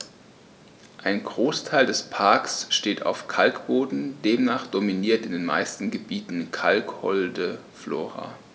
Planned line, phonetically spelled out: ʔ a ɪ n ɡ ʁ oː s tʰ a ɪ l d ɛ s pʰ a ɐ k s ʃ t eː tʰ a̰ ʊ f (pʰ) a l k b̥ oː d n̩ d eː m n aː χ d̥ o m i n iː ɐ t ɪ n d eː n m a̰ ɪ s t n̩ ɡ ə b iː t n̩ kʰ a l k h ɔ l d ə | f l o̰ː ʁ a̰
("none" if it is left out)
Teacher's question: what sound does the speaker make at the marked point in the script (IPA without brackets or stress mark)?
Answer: kʰ